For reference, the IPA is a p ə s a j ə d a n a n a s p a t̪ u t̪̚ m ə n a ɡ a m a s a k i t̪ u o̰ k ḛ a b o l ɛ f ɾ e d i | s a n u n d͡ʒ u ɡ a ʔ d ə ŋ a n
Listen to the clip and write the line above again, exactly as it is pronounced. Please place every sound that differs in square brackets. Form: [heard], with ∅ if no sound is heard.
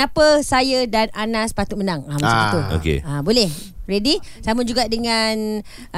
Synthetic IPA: a p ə s a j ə d a n a n a s p a t̪ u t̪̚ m ə n a [ŋ] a m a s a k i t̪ u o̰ k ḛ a b o l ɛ [h] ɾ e d i | s a [m] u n d͡ʒ u ɡ a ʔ d ə ŋ a n